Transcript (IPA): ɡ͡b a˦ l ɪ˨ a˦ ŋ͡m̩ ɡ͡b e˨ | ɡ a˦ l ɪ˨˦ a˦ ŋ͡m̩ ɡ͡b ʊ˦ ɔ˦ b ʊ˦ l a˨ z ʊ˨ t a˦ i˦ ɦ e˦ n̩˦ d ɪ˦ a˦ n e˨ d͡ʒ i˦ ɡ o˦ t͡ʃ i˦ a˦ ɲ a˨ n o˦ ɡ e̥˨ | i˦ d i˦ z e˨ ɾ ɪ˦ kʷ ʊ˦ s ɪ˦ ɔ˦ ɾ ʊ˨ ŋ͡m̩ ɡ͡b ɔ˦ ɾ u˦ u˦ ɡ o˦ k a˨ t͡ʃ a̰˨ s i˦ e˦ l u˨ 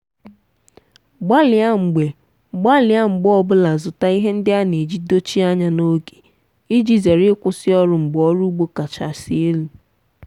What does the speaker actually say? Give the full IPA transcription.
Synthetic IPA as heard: ɡ͡b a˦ l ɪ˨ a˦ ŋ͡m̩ ɡ͡b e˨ | ɡ͡b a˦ l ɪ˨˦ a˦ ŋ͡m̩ ɡ͡b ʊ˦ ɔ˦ b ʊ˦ l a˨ z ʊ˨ t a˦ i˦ ɦ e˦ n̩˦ d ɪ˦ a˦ n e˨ d͡ʒ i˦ d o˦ t͡ʃ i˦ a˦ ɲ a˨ n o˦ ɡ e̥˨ | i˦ d͡ʒ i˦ z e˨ ɾ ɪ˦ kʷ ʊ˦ s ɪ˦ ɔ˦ ɾ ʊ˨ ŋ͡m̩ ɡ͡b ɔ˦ ɾ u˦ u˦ ɡ͡b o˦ k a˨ t͡ʃ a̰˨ s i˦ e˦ l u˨

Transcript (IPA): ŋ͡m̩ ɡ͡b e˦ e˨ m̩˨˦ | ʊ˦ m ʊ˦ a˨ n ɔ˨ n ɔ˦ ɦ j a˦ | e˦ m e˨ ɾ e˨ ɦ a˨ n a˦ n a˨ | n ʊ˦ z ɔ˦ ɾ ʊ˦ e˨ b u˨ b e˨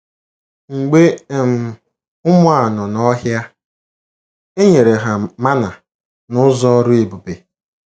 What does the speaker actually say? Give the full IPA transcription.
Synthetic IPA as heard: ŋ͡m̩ ɡ͡b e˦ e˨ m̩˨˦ | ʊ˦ m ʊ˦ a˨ n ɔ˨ n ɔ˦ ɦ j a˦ | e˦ ɲ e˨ ɾ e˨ ɦ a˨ m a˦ n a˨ | n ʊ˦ z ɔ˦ ɾ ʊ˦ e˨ b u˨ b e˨

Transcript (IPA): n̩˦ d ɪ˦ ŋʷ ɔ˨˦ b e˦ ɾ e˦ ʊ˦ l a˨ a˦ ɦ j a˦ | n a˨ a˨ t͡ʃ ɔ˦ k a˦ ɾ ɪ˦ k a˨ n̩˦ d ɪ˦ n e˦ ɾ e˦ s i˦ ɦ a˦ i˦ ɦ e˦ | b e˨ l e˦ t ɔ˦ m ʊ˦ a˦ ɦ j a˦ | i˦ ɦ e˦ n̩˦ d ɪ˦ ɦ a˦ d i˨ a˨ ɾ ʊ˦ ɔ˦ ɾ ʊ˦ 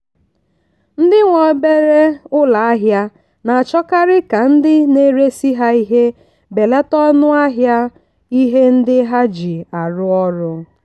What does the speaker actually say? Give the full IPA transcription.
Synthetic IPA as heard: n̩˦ d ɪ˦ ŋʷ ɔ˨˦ b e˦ ɾ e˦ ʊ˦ l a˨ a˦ ɦ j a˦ | n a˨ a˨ t͡ʃ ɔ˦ k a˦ ɾ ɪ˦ k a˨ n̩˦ d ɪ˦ n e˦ ɾ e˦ s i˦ ɦ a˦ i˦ ɦ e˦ | b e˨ l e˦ t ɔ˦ n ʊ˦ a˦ ɦ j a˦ | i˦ ɦ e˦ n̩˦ d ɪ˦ ɦ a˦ d͡ʒ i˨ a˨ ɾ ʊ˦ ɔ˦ ɾ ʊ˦

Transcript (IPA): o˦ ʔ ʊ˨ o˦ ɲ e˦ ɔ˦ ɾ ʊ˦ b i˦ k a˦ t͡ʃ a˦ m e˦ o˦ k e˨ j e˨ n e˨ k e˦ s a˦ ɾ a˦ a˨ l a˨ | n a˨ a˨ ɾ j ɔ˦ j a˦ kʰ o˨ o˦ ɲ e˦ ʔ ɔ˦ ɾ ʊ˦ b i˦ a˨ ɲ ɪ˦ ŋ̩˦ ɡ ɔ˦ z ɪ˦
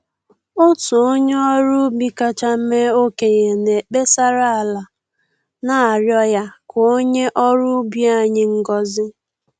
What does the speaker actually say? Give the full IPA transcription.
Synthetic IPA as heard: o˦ t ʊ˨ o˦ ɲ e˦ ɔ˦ ɾ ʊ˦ b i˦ k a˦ t͡ʃ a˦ m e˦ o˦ k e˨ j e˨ n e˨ k͡p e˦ s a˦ ɾ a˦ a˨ l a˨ | n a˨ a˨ ɾ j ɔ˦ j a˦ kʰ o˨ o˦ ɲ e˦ ʔ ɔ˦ ɾ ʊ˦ b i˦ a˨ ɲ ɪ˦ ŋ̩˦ ɡ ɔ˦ z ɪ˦

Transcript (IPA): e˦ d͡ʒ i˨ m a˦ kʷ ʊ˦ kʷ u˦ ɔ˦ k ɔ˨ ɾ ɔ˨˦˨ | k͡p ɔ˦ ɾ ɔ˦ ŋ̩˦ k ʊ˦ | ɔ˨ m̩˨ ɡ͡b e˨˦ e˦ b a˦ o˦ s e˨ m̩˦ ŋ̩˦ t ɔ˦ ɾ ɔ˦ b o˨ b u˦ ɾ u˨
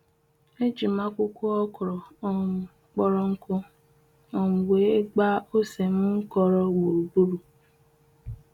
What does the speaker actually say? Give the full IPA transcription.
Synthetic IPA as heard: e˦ d͡ʒ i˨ m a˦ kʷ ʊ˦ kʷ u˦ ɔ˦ k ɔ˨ ɾ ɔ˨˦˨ | k͡p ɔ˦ ɾ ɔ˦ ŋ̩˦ k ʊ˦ | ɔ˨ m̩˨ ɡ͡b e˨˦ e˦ ɡ͡b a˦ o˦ s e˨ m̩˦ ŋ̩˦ k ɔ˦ ɾ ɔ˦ ɡ͡b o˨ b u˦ ɾ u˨

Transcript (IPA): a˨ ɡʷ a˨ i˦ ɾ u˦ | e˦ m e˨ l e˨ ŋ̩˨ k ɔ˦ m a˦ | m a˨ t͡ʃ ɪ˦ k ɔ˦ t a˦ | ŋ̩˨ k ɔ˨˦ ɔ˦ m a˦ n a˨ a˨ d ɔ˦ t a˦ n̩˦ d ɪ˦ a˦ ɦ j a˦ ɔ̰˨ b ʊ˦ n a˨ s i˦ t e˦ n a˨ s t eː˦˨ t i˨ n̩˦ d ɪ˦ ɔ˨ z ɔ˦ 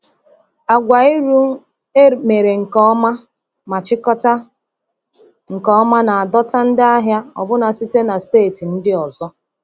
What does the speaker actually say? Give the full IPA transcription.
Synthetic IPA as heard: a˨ ɡʷ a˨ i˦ ɾ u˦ | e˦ m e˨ ɾ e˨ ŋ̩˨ k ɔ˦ m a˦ | m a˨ t͡ʃ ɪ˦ k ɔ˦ t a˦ | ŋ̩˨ k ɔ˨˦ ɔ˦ m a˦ n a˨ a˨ d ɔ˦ t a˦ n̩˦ d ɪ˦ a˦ ɦ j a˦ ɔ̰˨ b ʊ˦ n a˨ s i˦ t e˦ n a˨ s t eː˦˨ t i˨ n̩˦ d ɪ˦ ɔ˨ z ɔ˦

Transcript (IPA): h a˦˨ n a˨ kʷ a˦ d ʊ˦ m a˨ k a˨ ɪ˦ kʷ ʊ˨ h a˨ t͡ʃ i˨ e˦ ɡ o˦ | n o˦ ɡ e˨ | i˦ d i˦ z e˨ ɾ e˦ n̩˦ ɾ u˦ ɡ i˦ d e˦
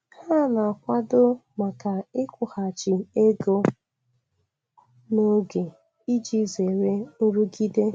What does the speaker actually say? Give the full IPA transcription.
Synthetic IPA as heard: h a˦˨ n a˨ kʷ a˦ d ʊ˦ m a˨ k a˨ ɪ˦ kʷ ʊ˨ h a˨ t͡ʃ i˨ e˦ ɡ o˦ | n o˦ ɡ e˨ | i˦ d͡ʒ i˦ z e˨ ɾ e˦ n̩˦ ɾ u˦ ɡ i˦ d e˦

